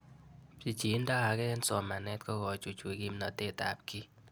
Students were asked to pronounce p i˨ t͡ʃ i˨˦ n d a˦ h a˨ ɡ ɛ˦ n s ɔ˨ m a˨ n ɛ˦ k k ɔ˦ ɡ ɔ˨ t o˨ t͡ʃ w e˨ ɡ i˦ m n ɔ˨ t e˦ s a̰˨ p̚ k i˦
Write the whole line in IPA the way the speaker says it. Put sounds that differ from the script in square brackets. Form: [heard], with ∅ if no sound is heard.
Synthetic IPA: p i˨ t͡ʃ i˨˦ n d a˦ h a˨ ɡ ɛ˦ n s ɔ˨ m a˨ n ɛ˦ [t] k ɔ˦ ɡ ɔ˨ [t͡ʃ] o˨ t͡ʃ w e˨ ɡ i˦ m n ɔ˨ t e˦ [t] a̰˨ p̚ k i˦